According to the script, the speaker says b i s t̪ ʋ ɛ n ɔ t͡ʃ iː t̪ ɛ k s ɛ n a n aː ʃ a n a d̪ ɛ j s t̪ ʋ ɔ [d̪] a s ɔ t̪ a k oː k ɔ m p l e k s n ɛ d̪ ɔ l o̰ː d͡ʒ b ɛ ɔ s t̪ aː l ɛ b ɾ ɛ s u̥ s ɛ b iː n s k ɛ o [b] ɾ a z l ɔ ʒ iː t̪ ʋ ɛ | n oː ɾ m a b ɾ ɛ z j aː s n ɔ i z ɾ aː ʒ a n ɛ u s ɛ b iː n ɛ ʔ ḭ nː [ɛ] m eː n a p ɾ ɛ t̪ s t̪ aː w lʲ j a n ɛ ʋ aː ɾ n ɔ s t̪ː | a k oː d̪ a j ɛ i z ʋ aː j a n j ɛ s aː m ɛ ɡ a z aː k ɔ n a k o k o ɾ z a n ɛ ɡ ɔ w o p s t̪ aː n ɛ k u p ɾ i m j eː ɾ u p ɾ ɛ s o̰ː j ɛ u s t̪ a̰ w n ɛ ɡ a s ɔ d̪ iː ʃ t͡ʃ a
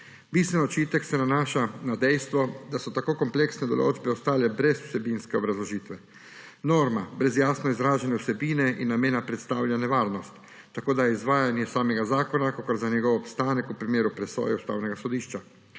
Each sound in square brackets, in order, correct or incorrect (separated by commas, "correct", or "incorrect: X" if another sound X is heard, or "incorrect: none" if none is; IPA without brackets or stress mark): correct, correct, incorrect: a